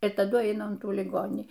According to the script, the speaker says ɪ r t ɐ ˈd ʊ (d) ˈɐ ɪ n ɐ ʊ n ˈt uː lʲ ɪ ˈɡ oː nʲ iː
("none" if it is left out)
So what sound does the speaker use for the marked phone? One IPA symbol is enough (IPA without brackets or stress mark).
none